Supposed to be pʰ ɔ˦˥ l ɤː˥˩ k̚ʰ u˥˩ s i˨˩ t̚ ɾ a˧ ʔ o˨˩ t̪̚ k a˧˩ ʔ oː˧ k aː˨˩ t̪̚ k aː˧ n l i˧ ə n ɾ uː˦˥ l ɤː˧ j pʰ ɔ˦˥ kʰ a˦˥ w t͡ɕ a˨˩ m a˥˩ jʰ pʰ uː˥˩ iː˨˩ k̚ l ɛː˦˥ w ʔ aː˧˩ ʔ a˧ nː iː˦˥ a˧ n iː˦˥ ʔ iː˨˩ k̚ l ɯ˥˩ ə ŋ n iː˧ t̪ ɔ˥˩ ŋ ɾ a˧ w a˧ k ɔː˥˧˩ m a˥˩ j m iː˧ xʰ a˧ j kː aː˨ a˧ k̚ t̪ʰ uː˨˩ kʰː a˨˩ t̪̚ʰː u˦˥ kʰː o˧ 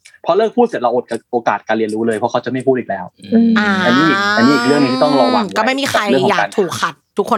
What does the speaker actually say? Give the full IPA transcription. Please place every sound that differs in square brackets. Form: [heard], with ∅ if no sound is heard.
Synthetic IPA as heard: pʰ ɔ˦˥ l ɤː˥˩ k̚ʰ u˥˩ s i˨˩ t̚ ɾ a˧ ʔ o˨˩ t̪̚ k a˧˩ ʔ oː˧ k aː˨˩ t̪̚ k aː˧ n l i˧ ə n ɾ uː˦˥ l ɤː˧ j pʰ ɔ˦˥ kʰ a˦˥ w t͡ɕ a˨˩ m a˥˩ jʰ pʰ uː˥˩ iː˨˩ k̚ l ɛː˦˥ w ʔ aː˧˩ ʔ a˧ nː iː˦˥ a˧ n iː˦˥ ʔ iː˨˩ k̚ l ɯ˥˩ ə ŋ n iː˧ t̪ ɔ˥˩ ŋ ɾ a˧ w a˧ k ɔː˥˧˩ m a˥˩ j m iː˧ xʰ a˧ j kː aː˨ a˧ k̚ t̪ʰ uː˨˩ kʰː a˨˩ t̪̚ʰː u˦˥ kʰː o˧